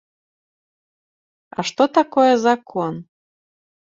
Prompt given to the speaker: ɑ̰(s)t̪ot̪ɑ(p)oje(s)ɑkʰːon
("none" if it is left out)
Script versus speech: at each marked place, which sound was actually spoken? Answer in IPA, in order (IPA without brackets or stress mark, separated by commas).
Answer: ʃ, k, z